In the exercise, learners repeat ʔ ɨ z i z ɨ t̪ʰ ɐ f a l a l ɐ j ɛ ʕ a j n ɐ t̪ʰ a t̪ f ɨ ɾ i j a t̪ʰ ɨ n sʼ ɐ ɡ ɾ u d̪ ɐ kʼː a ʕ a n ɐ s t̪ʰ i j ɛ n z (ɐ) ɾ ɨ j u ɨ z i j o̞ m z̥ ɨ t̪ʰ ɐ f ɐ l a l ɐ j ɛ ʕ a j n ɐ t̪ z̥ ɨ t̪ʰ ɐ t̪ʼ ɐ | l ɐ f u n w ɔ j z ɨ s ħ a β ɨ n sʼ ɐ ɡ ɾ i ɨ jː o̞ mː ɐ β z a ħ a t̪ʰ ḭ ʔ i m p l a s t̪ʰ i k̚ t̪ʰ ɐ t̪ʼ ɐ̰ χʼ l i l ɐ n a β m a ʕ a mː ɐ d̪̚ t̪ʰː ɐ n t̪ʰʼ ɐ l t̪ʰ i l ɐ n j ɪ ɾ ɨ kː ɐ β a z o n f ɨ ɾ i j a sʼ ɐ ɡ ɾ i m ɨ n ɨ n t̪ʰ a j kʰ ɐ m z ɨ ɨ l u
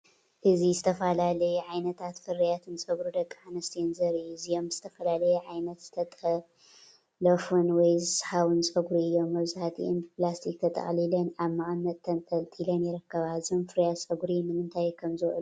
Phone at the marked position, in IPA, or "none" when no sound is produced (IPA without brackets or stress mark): ɐ